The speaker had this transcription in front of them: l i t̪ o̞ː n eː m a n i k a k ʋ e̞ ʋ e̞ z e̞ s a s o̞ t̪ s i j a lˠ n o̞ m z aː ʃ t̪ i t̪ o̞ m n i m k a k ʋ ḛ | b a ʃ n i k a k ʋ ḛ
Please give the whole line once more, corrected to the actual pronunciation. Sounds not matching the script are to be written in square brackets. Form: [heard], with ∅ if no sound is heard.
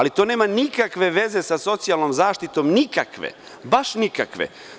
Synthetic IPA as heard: l i t̪ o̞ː n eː m a n i k a k ʋ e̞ ʋ e̞ z e̞ s a s o̞ t̪ s i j a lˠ n o̞ m z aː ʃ t̪ i t̪ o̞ m n i [∅] k a k ʋ ḛ | b a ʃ n i k a k ʋ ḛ